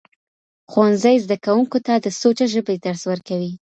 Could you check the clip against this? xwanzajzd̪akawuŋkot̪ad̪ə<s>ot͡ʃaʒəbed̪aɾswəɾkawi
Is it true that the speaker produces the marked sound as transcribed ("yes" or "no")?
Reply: yes